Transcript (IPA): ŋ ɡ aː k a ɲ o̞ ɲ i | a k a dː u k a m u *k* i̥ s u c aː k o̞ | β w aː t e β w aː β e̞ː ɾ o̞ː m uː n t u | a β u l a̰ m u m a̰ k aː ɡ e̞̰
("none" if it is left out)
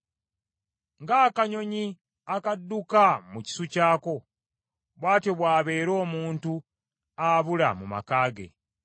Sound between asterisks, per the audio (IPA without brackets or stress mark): c